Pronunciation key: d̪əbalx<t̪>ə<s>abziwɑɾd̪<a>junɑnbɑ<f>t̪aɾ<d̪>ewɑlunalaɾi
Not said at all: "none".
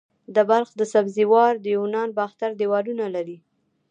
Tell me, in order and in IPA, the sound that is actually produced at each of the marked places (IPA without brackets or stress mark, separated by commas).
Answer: d̪, s, ə, x, d̪